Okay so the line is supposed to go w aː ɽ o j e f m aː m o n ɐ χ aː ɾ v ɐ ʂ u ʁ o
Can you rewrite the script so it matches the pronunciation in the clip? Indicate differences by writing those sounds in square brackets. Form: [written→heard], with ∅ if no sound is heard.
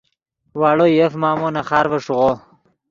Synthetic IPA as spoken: w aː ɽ o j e f m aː m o n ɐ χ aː ɾ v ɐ ʂ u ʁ o